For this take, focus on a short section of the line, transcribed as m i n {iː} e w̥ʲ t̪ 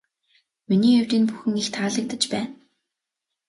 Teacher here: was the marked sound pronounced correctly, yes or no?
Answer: yes